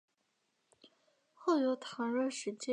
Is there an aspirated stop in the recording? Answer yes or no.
yes